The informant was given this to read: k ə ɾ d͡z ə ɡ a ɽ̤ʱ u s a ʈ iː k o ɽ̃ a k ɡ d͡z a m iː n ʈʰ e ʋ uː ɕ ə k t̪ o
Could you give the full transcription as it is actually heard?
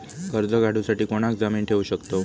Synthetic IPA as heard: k ə ɾ d͡z ə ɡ a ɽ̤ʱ u s a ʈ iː k o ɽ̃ a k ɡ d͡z a m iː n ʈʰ e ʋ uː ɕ ə k t̪ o